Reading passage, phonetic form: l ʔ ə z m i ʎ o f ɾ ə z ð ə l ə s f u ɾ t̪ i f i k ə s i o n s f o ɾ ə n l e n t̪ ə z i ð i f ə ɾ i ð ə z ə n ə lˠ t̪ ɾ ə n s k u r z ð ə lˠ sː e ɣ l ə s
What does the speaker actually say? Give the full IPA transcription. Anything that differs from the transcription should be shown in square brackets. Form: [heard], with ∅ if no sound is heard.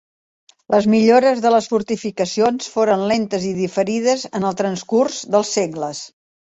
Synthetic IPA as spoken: l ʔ ə z m i ʎ o [∅] ɾ ə z ð ə l ə s f u ɾ t̪ i f i k ə s i o n s f o ɾ ə n l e n t̪ ə z i ð i f ə ɾ i ð ə z ə n ə lˠ t̪ ɾ ə n s k u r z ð ə lˠ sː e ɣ l ə s